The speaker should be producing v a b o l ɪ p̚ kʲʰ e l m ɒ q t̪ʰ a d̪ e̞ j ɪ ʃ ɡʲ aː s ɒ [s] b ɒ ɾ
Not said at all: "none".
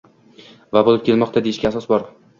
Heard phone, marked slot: s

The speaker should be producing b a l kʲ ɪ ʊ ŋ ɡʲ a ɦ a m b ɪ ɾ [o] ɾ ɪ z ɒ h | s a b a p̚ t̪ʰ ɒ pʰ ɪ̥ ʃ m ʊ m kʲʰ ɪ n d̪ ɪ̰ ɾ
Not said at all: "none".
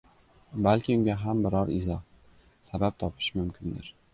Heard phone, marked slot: ɒ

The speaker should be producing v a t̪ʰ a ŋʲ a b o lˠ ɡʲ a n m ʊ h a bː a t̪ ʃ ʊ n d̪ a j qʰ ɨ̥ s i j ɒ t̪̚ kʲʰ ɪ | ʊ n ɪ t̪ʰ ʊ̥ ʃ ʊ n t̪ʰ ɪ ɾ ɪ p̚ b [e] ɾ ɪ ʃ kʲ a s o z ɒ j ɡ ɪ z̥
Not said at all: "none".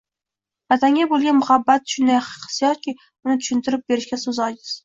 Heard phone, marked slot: e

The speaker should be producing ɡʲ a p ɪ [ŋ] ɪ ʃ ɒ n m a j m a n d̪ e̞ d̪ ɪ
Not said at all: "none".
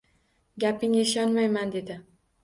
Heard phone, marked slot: ŋ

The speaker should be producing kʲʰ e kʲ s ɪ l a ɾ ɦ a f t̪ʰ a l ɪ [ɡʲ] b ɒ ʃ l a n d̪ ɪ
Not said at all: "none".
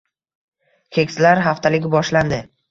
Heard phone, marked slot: ɡʲ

